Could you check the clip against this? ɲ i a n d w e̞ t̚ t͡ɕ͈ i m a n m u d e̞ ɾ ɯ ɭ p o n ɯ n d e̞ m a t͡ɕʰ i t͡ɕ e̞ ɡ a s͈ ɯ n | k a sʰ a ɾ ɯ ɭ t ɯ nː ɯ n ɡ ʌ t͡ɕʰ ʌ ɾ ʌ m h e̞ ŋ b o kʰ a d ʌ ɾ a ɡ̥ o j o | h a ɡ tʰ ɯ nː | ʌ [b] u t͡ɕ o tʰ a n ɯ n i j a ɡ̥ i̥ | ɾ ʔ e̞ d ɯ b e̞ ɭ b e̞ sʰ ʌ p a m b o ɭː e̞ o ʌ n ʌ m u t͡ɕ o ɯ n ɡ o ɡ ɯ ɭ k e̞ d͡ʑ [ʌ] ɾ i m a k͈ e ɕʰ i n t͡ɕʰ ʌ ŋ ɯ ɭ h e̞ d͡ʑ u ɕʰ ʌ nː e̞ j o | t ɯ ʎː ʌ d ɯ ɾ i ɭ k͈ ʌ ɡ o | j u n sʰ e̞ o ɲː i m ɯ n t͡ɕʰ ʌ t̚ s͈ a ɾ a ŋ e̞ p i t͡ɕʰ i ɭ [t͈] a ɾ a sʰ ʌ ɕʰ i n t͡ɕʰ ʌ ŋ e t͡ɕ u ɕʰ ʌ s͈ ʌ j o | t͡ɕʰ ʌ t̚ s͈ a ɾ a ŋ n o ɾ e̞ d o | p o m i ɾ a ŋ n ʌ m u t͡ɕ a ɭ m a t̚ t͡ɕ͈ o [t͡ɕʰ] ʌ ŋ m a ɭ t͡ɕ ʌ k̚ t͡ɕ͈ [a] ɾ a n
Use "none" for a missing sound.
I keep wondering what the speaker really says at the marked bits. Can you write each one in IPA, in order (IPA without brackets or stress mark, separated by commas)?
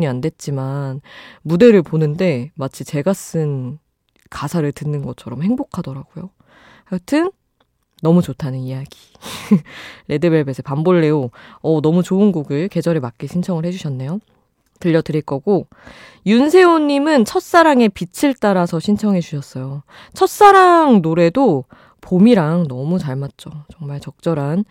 m, ʌ, t͈, t͡ɕ, ʌ